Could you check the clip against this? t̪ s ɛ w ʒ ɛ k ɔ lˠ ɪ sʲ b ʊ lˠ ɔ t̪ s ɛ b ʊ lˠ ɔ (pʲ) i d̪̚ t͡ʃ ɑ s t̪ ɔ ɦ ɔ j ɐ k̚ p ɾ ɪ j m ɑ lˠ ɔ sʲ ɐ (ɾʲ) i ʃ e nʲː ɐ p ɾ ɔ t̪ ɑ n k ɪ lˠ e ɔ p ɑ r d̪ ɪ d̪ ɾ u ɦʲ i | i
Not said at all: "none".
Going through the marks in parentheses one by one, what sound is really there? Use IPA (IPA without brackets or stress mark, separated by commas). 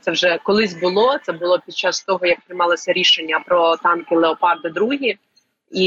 pʲ, ɾʲ